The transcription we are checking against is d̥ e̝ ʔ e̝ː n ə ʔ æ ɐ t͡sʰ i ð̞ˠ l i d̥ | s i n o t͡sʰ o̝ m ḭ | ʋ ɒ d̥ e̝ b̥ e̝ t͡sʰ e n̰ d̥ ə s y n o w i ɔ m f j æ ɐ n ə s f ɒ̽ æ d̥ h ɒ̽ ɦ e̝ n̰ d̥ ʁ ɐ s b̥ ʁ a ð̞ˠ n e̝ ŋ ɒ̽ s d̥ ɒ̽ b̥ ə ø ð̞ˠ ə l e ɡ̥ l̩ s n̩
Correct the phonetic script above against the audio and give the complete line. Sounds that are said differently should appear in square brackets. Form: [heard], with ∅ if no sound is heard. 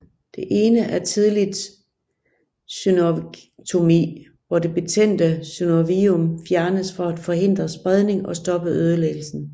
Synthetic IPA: d̥ e̝ ʔ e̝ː n ə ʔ æ ɐ t͡sʰ i ð̞ˠ l i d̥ | s [y] n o t͡sʰ o̝ m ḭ | ʋ ɒ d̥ e̝ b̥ e̝ t͡sʰ e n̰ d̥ ə s y n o [ʋ] i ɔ m f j æ ɐ n ə s f ɒ̽ æ d̥ [f] ɒ̽ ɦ e̝ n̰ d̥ ʁ ɐ s b̥ ʁ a ð̞ˠ n e̝ ŋ ɒ̽ s d̥ ɒ̽ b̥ ə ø ð̞ˠ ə l e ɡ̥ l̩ s n̩